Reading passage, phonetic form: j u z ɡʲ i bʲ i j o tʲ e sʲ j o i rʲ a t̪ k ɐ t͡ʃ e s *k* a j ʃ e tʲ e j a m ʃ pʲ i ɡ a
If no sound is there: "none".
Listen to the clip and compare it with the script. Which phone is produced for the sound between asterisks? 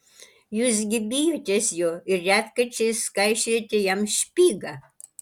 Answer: k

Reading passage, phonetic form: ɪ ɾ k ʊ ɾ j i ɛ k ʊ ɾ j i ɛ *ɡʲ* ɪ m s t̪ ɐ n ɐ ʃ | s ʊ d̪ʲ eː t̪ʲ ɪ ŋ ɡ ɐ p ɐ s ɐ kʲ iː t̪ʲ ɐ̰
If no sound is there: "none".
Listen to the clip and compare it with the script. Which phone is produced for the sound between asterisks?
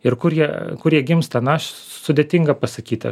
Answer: ɡʲ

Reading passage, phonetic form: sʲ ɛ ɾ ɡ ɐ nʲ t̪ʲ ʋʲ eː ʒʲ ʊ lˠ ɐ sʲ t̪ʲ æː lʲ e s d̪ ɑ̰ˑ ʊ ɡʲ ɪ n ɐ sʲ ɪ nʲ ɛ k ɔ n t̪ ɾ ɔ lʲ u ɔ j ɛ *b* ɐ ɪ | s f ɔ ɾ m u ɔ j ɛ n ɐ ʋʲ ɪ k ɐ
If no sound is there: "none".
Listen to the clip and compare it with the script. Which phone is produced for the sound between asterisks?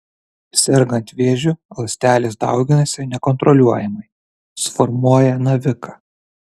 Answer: m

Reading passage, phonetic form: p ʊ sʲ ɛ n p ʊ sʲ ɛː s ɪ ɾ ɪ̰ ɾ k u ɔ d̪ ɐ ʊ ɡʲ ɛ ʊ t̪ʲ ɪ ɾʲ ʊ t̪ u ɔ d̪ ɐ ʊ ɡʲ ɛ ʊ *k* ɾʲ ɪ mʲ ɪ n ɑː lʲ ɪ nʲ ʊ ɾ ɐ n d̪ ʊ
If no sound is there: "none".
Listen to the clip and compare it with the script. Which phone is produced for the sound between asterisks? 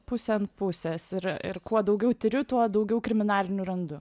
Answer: k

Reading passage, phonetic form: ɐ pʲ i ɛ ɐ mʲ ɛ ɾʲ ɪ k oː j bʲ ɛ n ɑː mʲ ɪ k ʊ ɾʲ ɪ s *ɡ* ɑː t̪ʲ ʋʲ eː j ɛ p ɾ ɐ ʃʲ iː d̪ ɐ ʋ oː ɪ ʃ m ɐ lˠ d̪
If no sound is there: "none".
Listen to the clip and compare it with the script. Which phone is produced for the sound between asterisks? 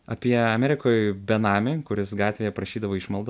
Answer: ɡ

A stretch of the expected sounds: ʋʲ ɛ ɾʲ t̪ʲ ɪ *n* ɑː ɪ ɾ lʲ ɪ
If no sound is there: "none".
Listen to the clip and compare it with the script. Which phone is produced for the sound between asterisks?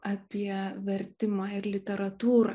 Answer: m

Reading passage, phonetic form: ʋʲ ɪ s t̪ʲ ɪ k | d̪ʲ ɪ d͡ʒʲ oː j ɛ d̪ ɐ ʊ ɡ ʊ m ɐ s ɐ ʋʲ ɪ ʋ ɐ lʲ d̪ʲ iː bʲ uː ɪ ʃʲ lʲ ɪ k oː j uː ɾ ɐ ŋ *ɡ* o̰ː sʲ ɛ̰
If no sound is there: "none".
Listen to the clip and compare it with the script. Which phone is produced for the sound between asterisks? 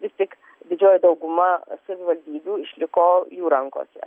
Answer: k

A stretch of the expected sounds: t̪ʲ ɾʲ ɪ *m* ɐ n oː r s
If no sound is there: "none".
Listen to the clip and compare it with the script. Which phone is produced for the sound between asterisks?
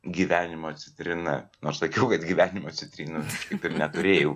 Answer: n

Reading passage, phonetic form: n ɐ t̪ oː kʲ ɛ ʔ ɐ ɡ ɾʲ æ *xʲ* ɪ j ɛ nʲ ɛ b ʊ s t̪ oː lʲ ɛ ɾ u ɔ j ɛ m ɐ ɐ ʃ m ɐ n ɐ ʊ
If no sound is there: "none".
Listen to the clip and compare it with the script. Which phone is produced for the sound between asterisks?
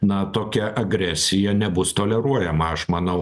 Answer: sʲ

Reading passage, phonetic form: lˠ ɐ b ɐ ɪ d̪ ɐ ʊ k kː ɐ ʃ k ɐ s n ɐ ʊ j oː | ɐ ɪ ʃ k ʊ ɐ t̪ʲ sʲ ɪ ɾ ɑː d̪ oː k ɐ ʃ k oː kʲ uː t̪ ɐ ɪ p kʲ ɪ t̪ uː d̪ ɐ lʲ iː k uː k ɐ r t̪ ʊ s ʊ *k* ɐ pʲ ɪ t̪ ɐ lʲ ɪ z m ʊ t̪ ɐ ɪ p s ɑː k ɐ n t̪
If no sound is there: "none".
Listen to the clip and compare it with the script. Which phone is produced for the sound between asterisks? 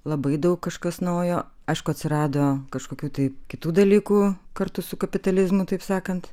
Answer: k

